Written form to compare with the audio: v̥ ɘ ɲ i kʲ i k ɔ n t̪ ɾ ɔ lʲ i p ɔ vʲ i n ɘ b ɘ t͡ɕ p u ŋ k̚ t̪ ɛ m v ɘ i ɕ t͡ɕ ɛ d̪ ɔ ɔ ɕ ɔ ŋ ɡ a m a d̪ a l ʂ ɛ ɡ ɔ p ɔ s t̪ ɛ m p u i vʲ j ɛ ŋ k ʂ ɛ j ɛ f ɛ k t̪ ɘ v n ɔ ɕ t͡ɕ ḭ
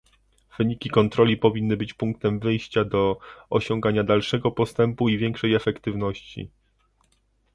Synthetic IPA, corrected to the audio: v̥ ɘ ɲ i kʲ i k ɔ n t̪ ɾ ɔ lʲ i p ɔ vʲ i nː ɘ b ɘ t͡ɕ p u ŋ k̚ t̪ ɛ m v ɘ j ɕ t͡ɕ a d̪ ɔ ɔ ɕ ɔ ŋ ɡ a ɲ a d̪ a l ʂ ɛ ɡ ɔ p ɔ s t̪ ɛ m p u i vʲ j ɛ ŋ k ʂ ɛ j ɛ f ɛ k t̪ ɘ v n ɔ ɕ t͡ɕ ḭ